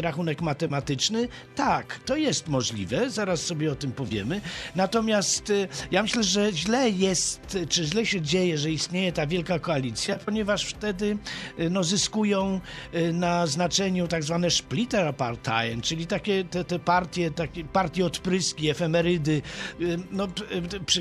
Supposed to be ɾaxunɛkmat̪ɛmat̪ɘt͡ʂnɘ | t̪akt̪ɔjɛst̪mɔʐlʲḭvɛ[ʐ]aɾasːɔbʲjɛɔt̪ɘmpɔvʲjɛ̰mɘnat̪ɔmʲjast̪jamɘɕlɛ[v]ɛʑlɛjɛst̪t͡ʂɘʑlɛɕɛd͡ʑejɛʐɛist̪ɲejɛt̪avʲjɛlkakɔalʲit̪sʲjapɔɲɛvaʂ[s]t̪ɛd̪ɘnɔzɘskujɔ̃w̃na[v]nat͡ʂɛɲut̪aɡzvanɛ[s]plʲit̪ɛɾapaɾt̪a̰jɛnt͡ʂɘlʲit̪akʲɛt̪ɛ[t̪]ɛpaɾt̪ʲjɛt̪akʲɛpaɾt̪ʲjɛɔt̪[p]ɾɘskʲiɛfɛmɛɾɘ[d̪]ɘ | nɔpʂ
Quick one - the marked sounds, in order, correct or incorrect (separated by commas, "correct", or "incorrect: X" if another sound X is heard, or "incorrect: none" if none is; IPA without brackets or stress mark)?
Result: incorrect: z, incorrect: ʐ, incorrect: f, incorrect: z, incorrect: ʂ, correct, correct, correct